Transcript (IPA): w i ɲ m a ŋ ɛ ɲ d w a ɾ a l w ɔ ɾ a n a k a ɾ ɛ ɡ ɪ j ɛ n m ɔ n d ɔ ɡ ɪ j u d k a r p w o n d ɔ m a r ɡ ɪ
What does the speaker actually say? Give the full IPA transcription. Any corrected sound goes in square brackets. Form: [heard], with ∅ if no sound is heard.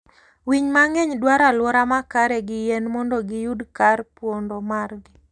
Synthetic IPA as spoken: w i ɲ m a ŋ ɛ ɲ d w a ɾ a l w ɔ ɾ a [m] a k a ɾ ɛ ɡ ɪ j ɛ n m ɔ n d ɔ ɡ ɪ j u d k a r p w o n d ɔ m a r ɡ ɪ